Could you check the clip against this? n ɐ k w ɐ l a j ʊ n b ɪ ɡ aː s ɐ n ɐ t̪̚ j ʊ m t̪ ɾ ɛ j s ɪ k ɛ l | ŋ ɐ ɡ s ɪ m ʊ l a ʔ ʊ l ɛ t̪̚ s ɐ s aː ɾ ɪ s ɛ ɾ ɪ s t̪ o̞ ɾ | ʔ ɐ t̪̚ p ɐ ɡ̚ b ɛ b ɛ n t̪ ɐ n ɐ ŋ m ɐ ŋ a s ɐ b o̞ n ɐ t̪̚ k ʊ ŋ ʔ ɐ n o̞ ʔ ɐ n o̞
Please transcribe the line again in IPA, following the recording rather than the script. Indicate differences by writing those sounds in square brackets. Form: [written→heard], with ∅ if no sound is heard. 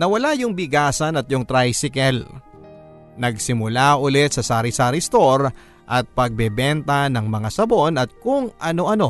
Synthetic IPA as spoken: n ɐ [k→∅] w ɐ l a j ʊ [n→ŋ] b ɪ ɡ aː s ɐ n ɐ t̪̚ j ʊ [m→ŋ] t̪ ɾ [ɛ→a] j s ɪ k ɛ l | [ŋ→n] ɐ ɡ s ɪ m ʊ l a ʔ ʊ l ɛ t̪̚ s ɐ s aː ɾ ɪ s [ɛ→a] ɾ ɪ s t̪ o̞ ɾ | ʔ ɐ t̪̚ p ɐ ɡ̚ b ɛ b ɛ n t̪ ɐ n ɐ ŋ m ɐ ŋ a s ɐ b o̞ n ɐ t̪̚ k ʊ ŋ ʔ ɐ n o̞ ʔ ɐ n o̞